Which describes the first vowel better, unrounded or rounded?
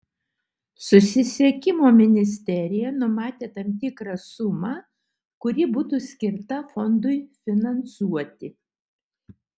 rounded